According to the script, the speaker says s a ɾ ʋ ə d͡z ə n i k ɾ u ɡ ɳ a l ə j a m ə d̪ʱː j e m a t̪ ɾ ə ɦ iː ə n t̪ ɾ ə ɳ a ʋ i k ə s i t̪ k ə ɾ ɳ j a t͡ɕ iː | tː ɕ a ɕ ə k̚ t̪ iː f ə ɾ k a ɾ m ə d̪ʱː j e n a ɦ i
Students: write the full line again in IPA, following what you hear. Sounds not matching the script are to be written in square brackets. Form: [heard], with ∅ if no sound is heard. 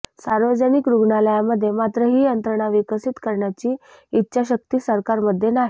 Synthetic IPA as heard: s a ɾ ʋ ə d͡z ə n i k ɾ u ɡ ɳ a l ə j a m ə d̪ʱː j e m a t̪ ɾ ə ɦ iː ə n t̪ ɾ ə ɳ a ʋ i k ə s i t̪ k ə ɾ ɳ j a t͡ɕ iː | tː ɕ a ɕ ə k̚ t̪ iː [s] ə ɾ k a ɾ m ə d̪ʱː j e n a ɦ i

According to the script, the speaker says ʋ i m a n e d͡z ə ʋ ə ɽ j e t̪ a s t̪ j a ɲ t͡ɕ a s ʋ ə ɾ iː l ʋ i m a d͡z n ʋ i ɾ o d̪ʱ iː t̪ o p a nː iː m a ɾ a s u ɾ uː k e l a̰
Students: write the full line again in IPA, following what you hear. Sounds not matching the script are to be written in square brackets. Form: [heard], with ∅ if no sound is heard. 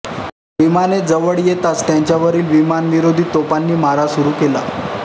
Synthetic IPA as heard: ʋ i m a n e d͡z ə ʋ ə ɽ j e t̪ a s t̪ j a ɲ t͡ɕ a [∅] ʋ ə ɾ iː l ʋ i m a [∅] n ʋ i ɾ o d̪ʱ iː t̪ o p a nː iː m a ɾ a s u ɾ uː k e l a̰

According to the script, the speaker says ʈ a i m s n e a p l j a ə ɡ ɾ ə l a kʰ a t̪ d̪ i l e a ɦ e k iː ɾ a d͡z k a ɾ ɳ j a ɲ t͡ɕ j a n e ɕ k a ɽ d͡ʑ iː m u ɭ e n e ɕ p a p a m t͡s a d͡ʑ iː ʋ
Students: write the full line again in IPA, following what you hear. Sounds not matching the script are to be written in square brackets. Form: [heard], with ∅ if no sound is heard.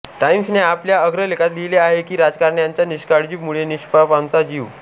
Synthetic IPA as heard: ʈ a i m s n e a p l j a ə ɡ ɾ ə l [e] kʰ a t̪ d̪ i l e a ɦ e k iː ɾ a d͡z k a ɾ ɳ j a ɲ t͡ɕ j a n [i] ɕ k a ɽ d͡ʑ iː m u ɭ e n [i] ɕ p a p a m t͡s a d͡ʑ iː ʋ

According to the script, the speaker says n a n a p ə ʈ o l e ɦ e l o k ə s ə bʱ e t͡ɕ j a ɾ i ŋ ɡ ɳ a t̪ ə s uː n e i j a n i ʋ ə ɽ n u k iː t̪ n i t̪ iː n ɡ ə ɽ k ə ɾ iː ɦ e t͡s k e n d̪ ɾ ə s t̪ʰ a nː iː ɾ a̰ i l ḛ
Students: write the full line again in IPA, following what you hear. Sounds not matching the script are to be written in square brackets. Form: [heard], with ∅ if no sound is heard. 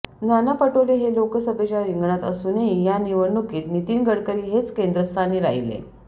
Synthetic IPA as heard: n a n a p ə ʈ o l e ɦ e l o k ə s ə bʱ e t͡ɕ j a ɾ i ŋ ɡ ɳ a t̪ ə s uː n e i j a n i ʋ ə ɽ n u k iː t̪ n i t̪ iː n ɡ ə ɽ k ə ɾ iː ɦ e t͡s k e n d̪ ɾ ə s t̪ʰ a [n] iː ɾ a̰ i l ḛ

